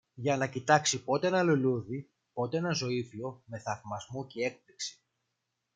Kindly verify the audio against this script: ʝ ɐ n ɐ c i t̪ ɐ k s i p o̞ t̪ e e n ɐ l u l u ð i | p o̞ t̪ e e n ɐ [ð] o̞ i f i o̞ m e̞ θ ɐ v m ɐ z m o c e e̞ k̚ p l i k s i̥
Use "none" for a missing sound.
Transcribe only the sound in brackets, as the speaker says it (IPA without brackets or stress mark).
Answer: z